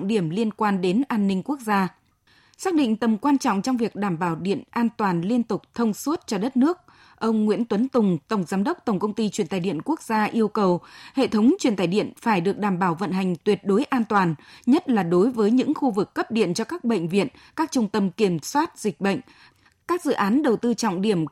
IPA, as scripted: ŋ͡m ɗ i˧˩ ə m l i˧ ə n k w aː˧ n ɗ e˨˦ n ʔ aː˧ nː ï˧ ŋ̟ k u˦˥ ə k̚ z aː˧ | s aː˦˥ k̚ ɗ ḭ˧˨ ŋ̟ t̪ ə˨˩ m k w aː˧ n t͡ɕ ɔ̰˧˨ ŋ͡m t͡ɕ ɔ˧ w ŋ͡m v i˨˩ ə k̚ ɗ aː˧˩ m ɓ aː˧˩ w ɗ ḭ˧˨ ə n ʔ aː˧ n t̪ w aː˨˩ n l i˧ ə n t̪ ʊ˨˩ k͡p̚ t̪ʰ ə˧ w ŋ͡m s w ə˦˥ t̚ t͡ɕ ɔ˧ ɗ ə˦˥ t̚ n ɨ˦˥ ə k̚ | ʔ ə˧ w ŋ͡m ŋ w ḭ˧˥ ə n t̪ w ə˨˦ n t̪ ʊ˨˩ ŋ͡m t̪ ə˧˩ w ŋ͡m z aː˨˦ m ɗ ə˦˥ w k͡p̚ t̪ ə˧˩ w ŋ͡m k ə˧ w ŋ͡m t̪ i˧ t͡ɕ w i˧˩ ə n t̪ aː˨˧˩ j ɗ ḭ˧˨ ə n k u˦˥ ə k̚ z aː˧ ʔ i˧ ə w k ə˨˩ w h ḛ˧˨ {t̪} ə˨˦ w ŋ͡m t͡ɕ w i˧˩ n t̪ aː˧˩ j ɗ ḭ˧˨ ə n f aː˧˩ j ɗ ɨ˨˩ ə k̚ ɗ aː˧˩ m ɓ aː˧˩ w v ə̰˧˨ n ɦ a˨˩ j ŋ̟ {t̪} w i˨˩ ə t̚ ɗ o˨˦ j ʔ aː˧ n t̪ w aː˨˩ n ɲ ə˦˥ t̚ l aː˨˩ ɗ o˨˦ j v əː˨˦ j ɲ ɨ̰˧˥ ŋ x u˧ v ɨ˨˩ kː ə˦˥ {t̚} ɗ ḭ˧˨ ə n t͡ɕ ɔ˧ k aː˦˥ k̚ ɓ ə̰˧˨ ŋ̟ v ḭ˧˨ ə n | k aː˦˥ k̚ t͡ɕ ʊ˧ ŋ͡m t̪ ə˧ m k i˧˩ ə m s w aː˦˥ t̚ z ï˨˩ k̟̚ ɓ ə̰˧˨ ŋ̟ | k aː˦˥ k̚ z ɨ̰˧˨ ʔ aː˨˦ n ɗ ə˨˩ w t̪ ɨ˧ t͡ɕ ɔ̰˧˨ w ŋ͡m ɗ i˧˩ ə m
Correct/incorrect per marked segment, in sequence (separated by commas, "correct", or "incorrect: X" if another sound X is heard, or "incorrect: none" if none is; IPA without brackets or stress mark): incorrect: t̪ʰ, correct, incorrect: p̚